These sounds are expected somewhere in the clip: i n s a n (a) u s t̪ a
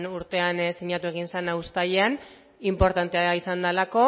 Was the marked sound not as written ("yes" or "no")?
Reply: no